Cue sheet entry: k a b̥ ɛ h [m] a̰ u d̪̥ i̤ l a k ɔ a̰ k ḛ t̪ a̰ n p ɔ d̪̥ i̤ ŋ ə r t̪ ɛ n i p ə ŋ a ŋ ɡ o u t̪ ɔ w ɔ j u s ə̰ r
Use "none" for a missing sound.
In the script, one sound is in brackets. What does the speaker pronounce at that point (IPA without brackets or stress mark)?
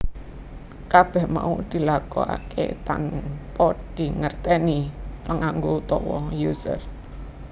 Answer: m